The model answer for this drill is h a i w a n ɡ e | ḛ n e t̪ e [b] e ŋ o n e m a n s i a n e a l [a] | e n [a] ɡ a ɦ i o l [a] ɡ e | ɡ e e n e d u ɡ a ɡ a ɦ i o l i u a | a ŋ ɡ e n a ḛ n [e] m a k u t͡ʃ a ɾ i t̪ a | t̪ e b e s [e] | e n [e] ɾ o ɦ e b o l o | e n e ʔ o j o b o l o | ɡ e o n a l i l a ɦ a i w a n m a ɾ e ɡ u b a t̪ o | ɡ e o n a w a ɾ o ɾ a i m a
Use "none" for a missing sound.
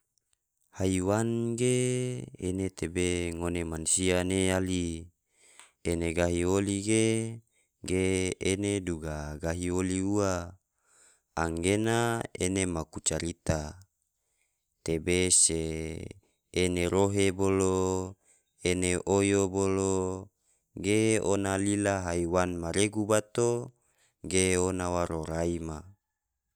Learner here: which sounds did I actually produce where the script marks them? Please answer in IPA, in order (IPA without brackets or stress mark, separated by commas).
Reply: b, i, e, i, e, e, e